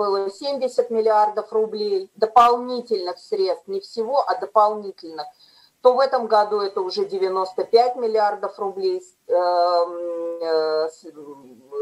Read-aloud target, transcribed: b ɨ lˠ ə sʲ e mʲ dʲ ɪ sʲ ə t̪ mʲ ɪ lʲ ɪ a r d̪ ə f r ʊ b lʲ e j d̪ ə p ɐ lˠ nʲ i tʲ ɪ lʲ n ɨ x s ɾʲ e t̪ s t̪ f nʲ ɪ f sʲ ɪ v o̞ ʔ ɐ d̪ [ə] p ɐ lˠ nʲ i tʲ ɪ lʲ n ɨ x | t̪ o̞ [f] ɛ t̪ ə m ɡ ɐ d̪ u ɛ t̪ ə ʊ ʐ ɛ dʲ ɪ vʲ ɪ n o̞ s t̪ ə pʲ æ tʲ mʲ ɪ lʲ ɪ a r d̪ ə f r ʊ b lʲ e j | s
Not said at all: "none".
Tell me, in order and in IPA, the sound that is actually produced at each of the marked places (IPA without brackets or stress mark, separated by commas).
ə, v